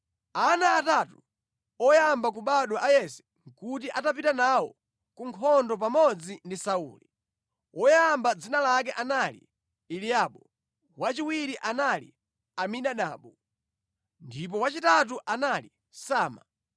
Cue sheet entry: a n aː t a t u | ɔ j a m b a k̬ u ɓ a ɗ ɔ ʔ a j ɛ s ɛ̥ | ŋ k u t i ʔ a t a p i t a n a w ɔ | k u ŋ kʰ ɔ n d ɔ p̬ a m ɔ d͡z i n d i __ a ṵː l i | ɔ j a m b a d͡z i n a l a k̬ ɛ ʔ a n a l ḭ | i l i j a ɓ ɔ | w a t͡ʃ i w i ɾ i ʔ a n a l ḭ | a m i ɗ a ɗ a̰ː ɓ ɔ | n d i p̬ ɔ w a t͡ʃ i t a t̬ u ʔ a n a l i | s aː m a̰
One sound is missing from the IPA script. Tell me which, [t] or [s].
s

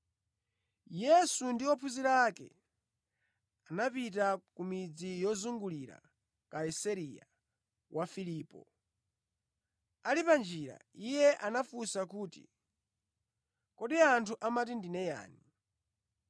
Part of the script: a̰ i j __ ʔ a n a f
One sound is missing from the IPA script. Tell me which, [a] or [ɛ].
ɛ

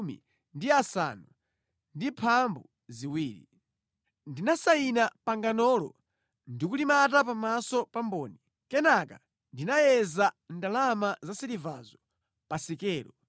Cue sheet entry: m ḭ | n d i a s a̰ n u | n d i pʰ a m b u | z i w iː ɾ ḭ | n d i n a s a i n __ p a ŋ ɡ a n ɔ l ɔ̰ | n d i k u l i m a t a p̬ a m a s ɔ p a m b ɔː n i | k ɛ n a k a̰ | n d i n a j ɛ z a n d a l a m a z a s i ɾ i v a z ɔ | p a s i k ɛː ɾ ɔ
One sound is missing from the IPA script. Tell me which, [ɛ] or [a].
a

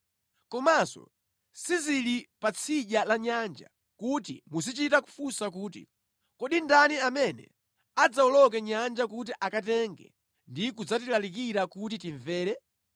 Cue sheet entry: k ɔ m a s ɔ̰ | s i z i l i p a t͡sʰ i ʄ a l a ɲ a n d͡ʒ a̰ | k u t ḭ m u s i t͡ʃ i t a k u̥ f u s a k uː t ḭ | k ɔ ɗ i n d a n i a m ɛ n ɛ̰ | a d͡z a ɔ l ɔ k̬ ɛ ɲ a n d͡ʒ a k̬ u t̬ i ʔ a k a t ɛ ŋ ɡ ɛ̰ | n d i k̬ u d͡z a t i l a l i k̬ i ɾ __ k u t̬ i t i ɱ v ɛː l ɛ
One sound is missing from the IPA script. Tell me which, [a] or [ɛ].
a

